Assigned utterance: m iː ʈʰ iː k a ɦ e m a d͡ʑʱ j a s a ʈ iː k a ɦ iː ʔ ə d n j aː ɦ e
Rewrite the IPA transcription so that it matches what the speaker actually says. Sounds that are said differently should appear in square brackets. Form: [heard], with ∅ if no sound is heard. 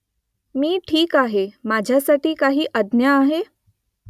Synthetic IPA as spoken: m iː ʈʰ iː k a ɦ e m a d͡ʑʱ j a s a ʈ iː k a ɦ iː ʔ ə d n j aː ɦ e